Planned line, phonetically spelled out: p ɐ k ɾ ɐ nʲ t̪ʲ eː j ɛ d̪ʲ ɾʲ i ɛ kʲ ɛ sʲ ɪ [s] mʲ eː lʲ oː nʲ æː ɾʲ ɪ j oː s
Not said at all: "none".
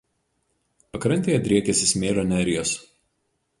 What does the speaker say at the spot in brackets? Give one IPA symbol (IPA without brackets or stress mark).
s